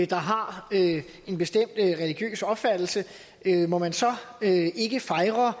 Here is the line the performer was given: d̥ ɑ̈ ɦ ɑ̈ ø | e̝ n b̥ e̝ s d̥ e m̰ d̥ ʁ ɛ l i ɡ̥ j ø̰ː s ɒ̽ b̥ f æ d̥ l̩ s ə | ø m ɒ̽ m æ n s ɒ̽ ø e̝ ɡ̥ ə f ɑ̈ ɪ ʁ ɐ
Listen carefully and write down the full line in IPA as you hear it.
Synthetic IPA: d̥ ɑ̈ ɦ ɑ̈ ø | e̝ n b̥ e̝ s d̥ e m̰ d̥ ʁ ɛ l i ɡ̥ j ø̰ː s ɒ̽ b̥ f æ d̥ l̩ s ə | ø m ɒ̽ m æ n s ɒ̽ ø e̝ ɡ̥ ə f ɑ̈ ɪ ʁ ɐ